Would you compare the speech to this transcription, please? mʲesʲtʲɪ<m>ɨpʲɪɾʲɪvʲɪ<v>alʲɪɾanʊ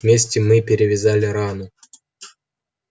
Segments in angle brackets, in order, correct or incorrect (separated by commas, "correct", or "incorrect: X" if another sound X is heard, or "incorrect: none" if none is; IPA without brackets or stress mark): correct, incorrect: z